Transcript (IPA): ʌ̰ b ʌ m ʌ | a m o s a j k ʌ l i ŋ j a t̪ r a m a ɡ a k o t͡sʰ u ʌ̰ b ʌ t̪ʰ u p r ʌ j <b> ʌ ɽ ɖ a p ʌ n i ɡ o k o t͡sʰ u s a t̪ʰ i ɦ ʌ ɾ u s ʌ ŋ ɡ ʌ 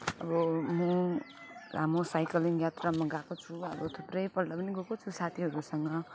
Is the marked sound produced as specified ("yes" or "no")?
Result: no